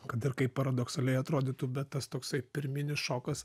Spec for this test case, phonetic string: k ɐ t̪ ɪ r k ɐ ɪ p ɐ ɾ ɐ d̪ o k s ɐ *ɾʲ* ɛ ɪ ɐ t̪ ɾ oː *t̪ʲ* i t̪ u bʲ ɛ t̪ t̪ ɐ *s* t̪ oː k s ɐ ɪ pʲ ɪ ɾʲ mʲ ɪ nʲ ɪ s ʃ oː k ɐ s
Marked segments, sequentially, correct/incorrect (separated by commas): incorrect, incorrect, correct